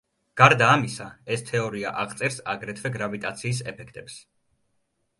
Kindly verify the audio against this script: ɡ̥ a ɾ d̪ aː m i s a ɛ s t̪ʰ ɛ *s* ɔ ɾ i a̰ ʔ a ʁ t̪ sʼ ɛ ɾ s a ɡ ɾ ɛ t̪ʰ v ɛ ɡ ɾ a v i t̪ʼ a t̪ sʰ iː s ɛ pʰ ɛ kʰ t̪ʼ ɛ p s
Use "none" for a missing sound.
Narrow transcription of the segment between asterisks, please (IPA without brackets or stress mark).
none